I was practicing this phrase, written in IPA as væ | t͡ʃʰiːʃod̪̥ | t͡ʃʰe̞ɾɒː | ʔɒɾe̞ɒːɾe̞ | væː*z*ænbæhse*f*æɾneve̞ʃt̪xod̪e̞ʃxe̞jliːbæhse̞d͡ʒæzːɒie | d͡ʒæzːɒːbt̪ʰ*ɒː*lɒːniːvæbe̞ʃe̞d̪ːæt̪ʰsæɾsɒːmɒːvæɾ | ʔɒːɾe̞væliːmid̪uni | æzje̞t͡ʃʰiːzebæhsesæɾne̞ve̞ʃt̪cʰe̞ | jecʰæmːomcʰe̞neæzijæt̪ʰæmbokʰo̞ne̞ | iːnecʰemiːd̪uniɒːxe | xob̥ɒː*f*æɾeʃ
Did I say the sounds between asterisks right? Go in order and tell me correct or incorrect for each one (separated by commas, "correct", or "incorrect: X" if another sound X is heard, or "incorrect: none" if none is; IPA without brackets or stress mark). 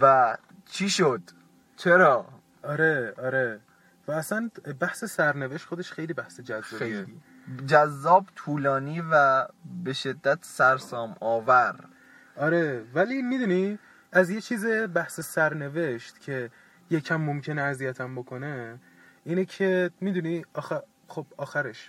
incorrect: s, incorrect: s, incorrect: uː, incorrect: x